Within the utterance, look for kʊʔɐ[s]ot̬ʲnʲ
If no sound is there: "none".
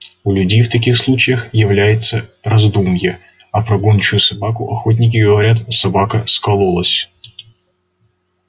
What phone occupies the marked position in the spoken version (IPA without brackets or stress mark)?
x